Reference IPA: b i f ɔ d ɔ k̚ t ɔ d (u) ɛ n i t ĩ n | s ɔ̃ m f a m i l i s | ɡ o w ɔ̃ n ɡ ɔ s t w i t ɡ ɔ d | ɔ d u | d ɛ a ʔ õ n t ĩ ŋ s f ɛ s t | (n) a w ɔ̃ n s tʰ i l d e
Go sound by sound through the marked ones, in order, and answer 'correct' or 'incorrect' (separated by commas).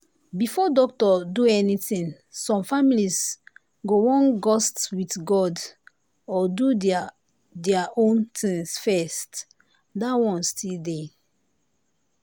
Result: correct, incorrect